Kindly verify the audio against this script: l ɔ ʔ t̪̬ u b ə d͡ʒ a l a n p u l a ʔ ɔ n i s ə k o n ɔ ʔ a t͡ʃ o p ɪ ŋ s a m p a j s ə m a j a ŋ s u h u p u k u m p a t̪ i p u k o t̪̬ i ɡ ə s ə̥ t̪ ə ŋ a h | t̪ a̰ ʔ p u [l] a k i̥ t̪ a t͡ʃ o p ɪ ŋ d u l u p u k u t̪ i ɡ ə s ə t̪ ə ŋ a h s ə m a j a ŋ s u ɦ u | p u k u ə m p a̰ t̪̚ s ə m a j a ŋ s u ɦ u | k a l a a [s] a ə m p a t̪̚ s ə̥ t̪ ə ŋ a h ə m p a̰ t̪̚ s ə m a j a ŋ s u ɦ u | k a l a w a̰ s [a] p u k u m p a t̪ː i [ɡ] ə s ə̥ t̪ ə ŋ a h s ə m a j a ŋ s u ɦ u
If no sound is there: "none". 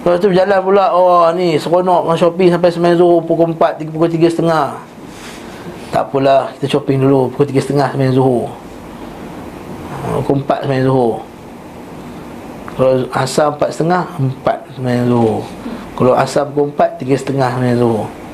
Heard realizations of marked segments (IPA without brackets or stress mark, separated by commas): l, s, a, ɡ